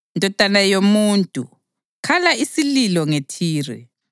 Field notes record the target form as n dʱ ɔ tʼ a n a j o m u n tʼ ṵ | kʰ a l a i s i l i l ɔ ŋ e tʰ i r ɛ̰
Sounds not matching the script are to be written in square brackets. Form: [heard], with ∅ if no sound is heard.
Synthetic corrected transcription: n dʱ ɔ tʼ a n a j o m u n tʼ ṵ | kʰ a l a i s i l i l ɔ ŋ e tʰ [iː] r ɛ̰